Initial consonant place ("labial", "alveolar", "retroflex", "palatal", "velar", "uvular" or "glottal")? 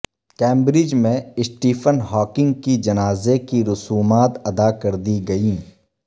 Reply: velar